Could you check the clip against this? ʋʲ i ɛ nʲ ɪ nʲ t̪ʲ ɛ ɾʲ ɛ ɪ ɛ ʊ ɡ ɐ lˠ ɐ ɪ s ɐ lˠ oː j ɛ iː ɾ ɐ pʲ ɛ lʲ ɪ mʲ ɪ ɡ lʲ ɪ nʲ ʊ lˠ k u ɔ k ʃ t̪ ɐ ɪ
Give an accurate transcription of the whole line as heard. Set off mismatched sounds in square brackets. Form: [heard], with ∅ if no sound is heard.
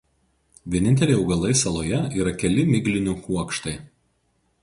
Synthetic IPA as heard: ʋʲ i ɛ nʲ ɪ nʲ t̪ʲ ɛ [lʲ] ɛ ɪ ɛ ʊ ɡ ɐ lˠ ɐ ɪ s ɐ lˠ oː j ɛ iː ɾ ɐ [kʲ] ɛ lʲ ɪ mʲ ɪ ɡ lʲ ɪ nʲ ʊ [∅] k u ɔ k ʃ t̪ ɐ ɪ